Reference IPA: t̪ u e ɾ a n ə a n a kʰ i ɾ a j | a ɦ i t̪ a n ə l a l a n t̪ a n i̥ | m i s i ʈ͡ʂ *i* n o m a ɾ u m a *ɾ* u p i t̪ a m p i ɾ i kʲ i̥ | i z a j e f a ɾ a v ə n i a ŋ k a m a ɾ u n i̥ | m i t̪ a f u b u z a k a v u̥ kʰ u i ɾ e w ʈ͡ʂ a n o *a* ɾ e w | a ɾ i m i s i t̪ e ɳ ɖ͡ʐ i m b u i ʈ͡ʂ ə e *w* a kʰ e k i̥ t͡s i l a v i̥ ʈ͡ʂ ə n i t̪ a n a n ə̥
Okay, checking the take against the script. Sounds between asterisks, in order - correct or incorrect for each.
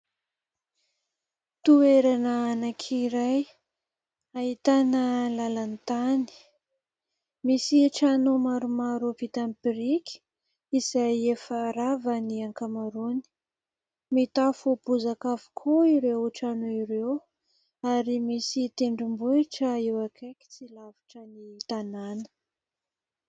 incorrect: a, correct, incorrect: i, correct

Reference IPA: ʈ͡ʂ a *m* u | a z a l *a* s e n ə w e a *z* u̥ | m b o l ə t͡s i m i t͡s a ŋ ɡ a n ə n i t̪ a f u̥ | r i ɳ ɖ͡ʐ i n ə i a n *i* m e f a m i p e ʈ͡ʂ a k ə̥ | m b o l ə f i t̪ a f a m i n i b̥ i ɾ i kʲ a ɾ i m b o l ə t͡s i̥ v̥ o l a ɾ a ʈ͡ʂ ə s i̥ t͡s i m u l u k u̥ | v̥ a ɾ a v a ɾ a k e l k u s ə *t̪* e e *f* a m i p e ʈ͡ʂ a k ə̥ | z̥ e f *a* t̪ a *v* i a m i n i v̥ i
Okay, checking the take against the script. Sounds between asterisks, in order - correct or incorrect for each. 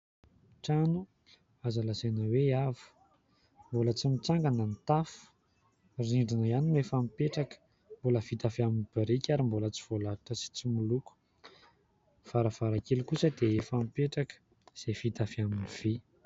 incorrect: n, correct, incorrect: v, correct, incorrect: d̪, correct, incorrect: i, incorrect: f

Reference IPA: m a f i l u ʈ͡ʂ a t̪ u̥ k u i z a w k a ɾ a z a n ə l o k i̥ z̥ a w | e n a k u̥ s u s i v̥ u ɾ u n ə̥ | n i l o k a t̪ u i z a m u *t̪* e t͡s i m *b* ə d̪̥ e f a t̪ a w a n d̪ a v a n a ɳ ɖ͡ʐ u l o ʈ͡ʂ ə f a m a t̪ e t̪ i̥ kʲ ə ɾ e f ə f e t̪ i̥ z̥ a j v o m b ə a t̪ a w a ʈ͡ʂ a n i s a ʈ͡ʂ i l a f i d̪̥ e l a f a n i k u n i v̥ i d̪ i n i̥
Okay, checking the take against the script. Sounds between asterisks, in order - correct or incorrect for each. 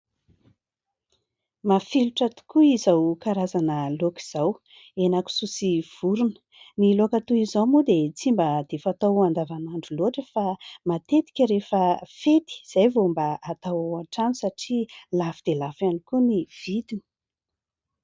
incorrect: d̪, correct

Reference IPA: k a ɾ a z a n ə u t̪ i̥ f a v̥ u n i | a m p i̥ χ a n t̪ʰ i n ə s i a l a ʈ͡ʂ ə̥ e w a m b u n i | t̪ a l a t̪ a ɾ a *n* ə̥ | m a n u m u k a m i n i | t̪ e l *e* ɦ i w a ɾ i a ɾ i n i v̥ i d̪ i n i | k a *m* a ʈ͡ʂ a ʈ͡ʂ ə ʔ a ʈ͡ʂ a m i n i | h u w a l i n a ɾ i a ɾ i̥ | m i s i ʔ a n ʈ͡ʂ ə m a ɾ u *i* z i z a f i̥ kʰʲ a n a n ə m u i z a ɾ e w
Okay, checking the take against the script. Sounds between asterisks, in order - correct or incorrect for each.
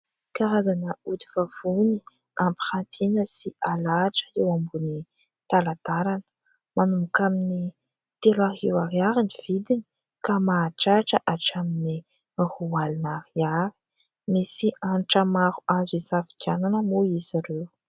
correct, incorrect: a, correct, incorrect: a

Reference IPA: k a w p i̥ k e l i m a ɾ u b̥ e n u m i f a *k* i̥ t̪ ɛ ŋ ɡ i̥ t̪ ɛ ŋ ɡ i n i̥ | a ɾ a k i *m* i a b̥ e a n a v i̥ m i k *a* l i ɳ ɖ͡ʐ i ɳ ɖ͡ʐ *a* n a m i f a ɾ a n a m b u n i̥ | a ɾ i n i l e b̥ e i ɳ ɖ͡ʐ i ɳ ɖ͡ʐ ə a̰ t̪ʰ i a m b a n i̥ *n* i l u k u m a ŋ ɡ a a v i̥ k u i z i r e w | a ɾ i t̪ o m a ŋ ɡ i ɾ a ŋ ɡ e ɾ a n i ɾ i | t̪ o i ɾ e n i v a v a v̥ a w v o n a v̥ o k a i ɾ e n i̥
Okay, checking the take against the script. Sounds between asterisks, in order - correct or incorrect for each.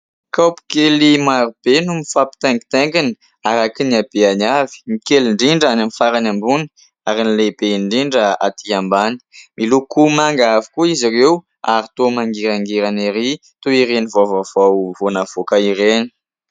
incorrect: p, incorrect: n, incorrect: e, correct, incorrect: m

